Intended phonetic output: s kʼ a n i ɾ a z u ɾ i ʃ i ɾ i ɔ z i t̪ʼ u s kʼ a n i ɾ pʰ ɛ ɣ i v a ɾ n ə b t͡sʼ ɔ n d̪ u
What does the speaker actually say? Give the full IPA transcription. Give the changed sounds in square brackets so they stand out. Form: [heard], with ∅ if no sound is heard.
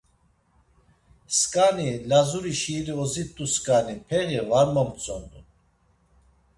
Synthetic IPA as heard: s kʼ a n i [l] a z u ɾ i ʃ i ɾ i ɔ z i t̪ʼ u s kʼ a n i [∅] pʰ ɛ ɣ i v a ɾ [m] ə [m] t͡sʼ ɔ n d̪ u